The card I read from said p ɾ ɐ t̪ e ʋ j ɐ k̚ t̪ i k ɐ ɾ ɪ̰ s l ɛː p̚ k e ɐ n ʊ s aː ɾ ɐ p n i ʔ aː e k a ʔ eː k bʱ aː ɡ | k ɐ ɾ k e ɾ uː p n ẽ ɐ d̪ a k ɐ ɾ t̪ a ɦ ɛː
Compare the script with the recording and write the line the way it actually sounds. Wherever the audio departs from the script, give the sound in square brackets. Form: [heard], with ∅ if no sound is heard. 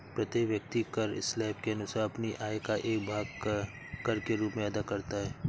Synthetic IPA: p ɾ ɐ t̪ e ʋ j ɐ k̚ t̪ i k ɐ ɾ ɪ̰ s l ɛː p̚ k e ɐ n ʊ s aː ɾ ɐ p n i ʔ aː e k a ʔ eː k bʱ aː ɡ | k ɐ ɾ k e ɾ uː p [m] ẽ ɐ d̪ a k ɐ ɾ t̪ a ɦ ɛː